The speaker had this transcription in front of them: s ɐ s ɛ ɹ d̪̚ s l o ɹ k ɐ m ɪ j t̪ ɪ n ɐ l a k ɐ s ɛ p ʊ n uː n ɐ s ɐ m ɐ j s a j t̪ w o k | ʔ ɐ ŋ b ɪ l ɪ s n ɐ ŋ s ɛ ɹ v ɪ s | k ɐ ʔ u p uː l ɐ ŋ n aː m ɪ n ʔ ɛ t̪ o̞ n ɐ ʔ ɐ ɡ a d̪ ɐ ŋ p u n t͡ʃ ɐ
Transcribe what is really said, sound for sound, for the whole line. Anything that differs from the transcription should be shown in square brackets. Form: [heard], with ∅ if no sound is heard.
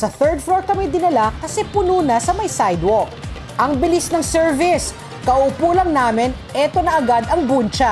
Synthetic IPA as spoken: s ɐ [θ] ɛ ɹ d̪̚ [f] l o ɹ k ɐ m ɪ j [d̪] ɪ n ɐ l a k ɐ s ɛ p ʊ n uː n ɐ s ɐ m ɐ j s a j [d̪] w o k | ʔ ɐ ŋ b ɪ l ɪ s n ɐ ŋ s ɛ ɹ v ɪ s | k ɐ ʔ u p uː l ɐ ŋ n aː m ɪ n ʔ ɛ t̪ o̞ n ɐ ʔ ɐ ɡ a d̪ ɐ ŋ [b] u n t͡ʃ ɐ